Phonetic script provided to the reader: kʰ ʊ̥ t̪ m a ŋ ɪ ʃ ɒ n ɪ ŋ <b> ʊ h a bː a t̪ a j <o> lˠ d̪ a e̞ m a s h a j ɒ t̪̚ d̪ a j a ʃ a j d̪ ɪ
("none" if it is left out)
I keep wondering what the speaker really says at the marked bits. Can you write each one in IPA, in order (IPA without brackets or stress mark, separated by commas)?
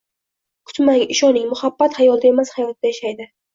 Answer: m, ɒ